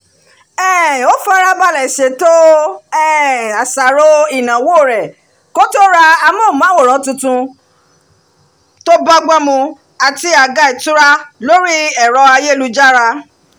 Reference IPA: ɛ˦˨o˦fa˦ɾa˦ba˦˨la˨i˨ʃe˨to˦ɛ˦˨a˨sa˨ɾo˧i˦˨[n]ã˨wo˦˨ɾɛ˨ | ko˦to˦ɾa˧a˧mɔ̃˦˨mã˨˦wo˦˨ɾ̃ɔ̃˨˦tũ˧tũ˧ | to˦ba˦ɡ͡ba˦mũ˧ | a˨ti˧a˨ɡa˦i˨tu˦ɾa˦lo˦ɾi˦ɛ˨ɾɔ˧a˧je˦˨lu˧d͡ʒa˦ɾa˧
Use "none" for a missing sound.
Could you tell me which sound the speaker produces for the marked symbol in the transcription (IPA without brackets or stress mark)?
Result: n